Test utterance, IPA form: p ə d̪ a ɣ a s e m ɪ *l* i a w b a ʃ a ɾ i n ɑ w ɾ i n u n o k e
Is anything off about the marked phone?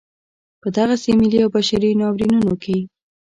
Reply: no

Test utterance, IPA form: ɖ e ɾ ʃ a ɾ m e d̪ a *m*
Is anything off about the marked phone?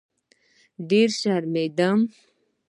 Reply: no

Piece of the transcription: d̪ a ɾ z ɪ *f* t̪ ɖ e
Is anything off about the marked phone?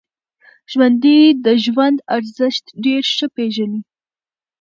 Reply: yes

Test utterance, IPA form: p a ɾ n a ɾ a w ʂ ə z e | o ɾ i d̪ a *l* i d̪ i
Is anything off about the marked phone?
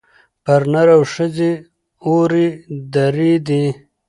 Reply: yes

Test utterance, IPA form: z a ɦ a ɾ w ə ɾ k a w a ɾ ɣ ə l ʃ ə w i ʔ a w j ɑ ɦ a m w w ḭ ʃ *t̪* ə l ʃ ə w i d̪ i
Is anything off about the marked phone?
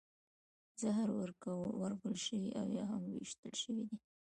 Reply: no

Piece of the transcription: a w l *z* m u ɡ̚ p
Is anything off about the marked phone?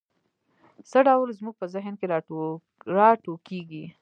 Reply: no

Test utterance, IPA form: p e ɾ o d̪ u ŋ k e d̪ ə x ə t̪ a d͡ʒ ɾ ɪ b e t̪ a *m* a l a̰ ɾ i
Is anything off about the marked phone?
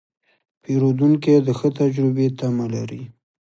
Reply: no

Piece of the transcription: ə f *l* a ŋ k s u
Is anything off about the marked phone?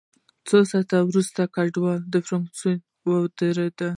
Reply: yes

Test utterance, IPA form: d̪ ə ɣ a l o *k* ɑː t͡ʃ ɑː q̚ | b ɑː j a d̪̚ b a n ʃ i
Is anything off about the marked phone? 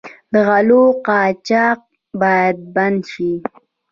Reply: yes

